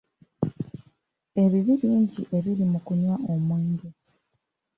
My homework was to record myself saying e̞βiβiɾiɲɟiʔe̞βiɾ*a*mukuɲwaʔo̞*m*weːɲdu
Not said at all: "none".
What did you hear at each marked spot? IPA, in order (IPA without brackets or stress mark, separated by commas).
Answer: i, m